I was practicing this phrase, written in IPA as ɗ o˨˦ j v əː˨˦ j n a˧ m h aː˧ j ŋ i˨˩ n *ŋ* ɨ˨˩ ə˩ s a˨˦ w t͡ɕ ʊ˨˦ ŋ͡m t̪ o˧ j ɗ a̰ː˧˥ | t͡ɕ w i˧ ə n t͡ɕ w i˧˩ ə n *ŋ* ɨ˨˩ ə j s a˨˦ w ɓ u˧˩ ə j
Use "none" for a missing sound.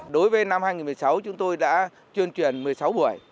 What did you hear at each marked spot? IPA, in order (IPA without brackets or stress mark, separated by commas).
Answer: m, m